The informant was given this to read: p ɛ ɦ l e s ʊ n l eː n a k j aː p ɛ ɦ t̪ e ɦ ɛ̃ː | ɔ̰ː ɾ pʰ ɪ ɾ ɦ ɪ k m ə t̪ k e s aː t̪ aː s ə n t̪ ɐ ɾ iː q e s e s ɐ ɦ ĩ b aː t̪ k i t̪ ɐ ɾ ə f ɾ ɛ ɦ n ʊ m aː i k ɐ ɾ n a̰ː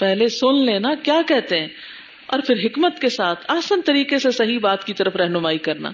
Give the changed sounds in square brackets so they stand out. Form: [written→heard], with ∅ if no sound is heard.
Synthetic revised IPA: p ɛ ɦ l e s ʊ n l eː n a k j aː [p→k] ɛ ɦ t̪ e ɦ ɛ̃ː | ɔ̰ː ɾ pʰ ɪ ɾ ɦ ɪ k m ə t̪ k e s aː [t̪→t̪ʰ] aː s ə n t̪ ɐ ɾ iː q e s e s ɐ ɦ [ĩ→i] b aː t̪ k i t̪ ɐ ɾ ə f ɾ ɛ ɦ n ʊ m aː i k ɐ ɾ n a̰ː